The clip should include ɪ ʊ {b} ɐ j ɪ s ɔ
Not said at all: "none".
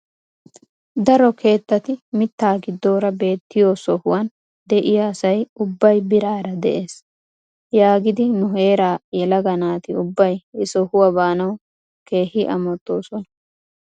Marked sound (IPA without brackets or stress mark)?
bː